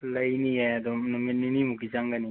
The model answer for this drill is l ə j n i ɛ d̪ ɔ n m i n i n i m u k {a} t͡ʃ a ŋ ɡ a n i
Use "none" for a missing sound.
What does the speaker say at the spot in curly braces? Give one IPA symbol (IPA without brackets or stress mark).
i